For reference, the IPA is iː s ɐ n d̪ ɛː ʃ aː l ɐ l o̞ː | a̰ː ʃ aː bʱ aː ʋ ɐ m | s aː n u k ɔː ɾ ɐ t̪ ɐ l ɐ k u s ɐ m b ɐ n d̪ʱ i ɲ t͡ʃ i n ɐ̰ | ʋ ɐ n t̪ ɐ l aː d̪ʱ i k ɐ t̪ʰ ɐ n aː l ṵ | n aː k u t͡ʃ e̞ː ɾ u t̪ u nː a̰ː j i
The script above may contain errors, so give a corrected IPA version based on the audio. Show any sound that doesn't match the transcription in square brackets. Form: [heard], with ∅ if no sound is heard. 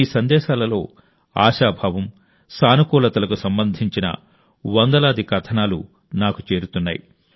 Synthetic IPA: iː s ɐ n d̪ ɛː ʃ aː l ɐ l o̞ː | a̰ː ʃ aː bʱ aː ʋ ɐ m | s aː n u k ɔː [l] ɐ t̪ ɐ l ɐ k u s ɐ m b ɐ n d̪ʱ i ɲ t͡ʃ i n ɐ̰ | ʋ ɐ n [d̪] ɐ l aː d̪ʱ i k ɐ t̪ʰ ɐ n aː l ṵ | n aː k u t͡ʃ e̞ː ɾ u t̪ u nː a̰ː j i